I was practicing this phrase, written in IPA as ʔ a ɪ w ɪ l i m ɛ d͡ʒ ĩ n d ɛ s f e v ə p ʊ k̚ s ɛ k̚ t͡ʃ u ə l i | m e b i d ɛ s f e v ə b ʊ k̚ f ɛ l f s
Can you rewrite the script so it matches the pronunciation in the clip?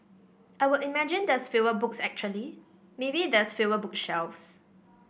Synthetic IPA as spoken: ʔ a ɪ w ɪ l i m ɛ d͡ʒ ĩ n d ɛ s f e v ə b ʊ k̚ s ɛ k̚ t͡ʃ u ə l i | m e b i d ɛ s f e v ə b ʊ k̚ ʃ ɛ l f s